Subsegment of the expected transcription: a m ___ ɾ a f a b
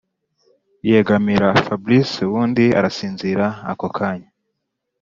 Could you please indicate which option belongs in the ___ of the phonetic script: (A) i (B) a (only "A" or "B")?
A